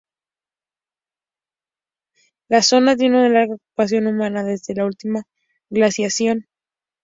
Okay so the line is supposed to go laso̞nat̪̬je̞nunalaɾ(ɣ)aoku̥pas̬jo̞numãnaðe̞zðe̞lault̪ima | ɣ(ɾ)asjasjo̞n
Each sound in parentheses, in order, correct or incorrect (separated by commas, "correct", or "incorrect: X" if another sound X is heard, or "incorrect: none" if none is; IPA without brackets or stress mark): correct, incorrect: l